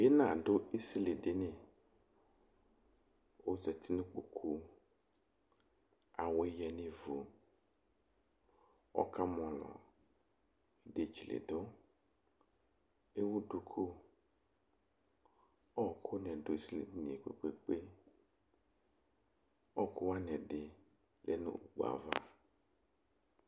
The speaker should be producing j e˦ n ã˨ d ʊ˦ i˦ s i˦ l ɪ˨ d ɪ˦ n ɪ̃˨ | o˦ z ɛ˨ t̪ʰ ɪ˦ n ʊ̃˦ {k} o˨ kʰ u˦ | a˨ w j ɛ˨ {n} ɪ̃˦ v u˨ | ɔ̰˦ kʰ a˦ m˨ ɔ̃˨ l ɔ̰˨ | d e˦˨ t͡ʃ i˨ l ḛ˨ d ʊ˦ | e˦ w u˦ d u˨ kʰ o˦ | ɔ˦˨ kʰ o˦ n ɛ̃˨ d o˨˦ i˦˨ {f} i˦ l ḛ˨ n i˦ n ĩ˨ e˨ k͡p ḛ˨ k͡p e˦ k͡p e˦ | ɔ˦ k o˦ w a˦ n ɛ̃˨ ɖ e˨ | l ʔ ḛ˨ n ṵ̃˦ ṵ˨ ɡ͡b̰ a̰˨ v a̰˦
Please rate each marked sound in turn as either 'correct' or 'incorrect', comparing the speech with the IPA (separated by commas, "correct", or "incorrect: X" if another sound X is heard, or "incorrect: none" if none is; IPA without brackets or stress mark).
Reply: incorrect: k͡p, correct, incorrect: s